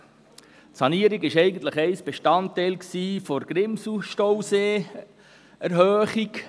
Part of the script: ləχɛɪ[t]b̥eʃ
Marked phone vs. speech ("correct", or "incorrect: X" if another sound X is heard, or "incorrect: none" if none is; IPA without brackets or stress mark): incorrect: s